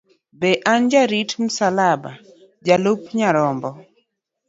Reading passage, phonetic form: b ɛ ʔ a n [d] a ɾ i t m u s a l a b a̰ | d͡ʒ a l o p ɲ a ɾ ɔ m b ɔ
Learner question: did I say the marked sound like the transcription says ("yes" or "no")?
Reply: no